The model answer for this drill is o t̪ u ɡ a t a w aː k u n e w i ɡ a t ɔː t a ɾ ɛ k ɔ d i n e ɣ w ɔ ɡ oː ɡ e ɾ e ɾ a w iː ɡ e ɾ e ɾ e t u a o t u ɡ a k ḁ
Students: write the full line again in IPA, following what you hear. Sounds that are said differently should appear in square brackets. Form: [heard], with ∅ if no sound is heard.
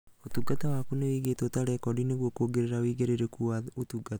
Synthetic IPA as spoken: o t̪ u ɡ a t a w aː k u n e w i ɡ [e] t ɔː t a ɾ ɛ k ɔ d i n e ɣ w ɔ [k] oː ɡ e ɾ e ɾ a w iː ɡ e ɾ e ɾ e [k] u a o t u ɡ a [t] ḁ